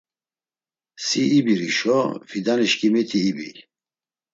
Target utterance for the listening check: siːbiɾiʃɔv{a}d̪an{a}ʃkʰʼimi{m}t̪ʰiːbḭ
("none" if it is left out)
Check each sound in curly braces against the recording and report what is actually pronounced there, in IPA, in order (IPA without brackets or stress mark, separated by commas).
i, i, none